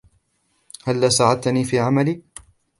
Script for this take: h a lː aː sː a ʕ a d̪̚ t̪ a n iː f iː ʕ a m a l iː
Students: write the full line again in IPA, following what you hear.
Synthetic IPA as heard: h a lː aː s a ʕ a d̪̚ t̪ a n iː f iː ʕ a m a l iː